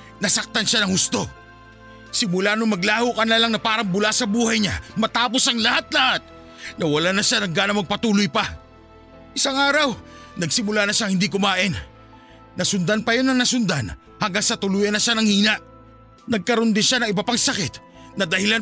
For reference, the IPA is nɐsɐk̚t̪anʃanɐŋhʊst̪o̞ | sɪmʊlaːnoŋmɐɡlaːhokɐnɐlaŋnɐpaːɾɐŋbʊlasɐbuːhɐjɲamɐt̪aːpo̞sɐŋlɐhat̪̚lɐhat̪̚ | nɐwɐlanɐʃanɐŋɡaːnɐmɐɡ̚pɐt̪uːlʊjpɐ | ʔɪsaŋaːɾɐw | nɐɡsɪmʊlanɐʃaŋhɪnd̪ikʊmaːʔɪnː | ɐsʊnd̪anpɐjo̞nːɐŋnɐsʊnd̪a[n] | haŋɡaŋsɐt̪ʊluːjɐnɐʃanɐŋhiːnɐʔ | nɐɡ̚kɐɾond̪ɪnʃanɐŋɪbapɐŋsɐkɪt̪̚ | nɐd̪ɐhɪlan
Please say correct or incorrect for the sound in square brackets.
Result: correct